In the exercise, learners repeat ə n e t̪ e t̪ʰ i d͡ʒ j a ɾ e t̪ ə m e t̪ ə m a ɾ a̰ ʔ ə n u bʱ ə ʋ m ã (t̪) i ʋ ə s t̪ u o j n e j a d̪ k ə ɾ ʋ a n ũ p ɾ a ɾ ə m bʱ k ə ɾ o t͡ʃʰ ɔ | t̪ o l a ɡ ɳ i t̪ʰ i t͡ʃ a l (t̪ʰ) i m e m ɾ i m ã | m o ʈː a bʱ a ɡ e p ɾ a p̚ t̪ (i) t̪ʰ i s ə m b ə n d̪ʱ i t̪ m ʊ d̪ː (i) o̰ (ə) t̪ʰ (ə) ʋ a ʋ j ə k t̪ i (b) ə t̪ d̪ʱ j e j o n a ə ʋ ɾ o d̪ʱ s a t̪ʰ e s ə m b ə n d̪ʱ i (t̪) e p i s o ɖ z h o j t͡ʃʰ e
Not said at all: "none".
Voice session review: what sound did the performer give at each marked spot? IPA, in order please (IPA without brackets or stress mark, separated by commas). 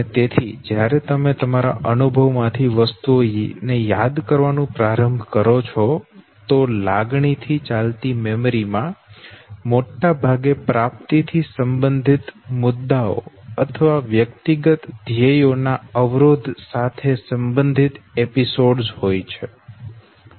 t̪ʰ, t̪, i, a, ə, ə, ɡ, t̪